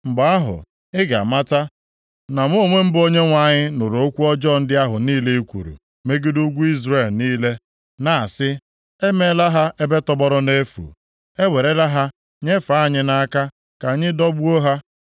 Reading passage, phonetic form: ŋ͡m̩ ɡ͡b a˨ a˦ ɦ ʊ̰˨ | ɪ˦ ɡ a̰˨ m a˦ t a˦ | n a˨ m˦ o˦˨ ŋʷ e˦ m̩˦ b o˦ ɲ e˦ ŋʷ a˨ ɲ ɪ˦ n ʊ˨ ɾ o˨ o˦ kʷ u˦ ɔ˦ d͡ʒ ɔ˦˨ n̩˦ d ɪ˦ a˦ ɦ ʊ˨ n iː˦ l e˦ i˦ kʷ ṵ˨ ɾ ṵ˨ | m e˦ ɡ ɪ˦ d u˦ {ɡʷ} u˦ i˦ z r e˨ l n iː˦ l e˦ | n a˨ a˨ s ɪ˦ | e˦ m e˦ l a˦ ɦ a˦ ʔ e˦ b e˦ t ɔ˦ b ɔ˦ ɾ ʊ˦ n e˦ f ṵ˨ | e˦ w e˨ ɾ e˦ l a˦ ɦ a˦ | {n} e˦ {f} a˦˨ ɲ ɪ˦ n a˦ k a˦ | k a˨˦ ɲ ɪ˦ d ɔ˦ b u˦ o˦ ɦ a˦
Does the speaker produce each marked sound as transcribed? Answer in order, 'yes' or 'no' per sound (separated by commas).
yes, no, yes